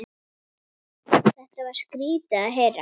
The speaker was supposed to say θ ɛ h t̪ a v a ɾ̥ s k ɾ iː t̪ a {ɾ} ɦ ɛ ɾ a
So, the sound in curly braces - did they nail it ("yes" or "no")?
no